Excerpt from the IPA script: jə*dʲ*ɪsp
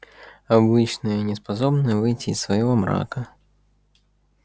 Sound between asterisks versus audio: incorrect: nʲ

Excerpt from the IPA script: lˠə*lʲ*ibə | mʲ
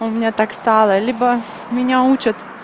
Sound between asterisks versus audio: correct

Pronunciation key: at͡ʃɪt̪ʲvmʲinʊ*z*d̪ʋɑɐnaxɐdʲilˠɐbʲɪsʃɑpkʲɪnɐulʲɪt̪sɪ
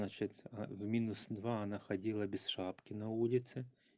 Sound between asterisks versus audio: incorrect: s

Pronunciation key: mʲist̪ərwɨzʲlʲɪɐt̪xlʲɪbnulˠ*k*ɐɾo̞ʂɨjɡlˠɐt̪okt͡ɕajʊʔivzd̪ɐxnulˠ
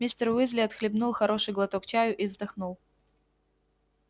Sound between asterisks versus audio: incorrect: x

